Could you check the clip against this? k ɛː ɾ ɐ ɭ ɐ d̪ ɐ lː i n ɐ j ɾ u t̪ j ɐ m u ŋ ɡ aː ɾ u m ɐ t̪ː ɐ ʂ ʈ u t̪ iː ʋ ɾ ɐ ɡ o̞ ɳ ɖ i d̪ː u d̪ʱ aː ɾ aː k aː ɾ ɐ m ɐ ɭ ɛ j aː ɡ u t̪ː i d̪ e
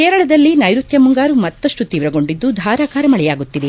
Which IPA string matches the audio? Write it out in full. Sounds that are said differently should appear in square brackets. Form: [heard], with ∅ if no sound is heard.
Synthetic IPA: k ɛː ɾ ɐ ɭ ɐ d̪ ɐ lː i n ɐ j ɾ u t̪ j ɐ m u ŋ ɡ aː ɾ u m ɐ t̪ː ɐ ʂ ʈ u t̪ iː ʋ ɾ ɐ ɡ o̞ ɳ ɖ i d̪ː u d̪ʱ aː ɾ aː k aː ɾ ɐ m ɐ ɭ ɛ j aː ɡ u t̪ː i d̪ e